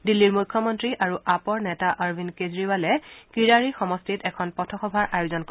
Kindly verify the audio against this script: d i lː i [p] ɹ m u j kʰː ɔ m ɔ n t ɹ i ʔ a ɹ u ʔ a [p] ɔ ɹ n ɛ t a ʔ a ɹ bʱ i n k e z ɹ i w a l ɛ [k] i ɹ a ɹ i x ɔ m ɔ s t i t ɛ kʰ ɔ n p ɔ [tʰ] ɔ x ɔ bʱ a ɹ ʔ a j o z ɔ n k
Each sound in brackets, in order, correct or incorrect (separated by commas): incorrect, correct, correct, correct